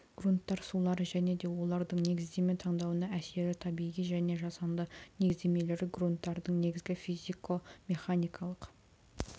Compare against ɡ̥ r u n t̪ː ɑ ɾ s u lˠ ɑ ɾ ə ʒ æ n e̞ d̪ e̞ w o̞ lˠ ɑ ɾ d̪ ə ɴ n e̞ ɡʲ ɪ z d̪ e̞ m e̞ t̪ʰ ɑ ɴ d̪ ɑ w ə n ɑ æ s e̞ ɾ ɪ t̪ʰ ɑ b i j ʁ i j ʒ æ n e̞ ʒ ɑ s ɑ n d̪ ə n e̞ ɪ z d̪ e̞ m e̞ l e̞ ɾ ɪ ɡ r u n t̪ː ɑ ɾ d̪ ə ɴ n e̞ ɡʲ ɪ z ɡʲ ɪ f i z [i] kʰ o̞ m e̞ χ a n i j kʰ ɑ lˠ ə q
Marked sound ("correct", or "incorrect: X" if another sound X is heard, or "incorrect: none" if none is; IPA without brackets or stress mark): correct